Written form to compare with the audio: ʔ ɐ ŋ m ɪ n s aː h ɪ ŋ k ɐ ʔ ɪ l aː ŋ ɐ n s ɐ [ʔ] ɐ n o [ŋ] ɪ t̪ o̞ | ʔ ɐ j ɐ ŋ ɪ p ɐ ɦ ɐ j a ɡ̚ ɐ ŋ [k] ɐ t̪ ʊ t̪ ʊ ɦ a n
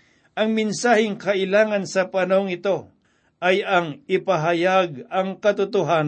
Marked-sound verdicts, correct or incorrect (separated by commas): incorrect, correct, correct